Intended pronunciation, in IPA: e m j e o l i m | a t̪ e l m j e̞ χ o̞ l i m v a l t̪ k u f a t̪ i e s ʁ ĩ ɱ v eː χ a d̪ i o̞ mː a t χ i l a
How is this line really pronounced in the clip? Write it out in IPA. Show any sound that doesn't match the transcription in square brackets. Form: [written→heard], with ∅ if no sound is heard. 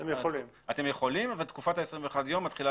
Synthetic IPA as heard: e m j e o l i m | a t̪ e [l→∅] m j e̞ χ o̞ l i m v a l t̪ k u f a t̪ [i→a] e s ʁ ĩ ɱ v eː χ a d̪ [i→j] o̞ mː a t χ i l a